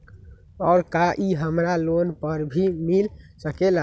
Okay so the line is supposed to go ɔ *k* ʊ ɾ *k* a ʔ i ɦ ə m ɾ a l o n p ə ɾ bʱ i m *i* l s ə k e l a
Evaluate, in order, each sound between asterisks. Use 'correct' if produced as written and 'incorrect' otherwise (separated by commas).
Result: incorrect, correct, correct